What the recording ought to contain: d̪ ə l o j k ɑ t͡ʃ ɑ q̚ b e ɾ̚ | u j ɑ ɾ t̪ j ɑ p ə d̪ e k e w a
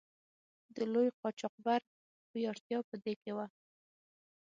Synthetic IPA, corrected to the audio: d̪ ə l o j q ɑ t͡ʃ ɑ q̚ b a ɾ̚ | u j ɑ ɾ t̪ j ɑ p ə d̪ e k e w a